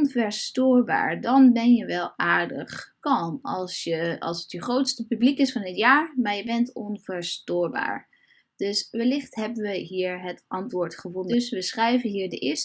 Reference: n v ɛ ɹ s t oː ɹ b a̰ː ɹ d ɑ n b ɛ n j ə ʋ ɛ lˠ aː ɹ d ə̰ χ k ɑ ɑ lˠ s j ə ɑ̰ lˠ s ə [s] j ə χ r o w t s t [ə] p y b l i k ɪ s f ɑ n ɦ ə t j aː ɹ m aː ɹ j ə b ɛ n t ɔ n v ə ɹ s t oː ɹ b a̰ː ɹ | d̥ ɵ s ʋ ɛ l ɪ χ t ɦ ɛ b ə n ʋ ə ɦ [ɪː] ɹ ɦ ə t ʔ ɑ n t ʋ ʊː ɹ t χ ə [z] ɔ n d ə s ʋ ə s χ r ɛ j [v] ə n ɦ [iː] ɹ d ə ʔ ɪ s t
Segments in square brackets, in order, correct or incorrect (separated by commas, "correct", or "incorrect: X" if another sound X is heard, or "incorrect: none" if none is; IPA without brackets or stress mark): incorrect: t, correct, incorrect: iː, incorrect: v, correct, correct